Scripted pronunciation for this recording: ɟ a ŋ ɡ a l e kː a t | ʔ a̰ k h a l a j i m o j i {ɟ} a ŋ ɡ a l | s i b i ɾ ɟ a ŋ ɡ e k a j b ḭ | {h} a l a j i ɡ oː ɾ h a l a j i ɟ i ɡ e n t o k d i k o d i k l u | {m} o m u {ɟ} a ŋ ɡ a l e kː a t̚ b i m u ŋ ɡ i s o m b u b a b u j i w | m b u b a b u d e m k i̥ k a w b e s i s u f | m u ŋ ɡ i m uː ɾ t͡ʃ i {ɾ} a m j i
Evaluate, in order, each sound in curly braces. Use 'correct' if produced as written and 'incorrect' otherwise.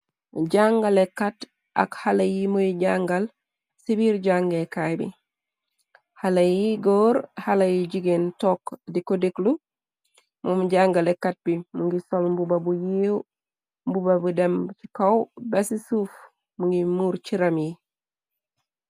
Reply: correct, correct, correct, correct, correct

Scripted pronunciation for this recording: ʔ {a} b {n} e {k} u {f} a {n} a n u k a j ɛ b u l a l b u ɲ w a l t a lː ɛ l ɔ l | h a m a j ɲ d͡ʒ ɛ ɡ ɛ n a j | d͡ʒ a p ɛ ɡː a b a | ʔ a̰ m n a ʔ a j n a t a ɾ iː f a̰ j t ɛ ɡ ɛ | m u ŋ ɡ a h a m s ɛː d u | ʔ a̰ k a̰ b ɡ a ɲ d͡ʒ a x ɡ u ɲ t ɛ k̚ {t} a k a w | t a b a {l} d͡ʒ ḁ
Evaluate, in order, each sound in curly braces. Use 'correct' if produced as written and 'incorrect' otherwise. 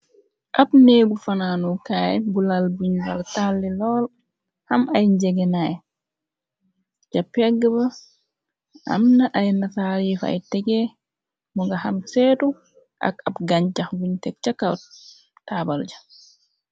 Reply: correct, correct, incorrect: ɡ, correct, correct, incorrect: t͡ʃ, correct

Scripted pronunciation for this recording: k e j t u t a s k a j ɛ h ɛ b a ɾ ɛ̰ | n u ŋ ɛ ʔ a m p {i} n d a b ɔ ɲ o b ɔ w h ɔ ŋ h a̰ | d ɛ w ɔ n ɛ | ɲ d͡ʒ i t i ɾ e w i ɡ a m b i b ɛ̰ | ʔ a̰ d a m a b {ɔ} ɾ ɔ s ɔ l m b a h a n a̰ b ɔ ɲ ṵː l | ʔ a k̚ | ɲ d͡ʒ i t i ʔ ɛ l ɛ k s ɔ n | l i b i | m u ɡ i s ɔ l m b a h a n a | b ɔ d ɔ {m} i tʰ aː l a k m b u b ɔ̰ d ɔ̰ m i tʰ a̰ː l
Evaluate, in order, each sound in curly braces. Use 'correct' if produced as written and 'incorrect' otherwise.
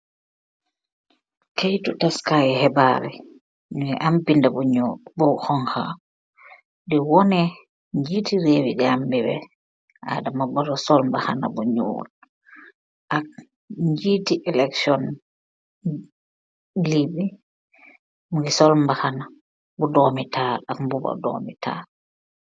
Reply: correct, correct, correct

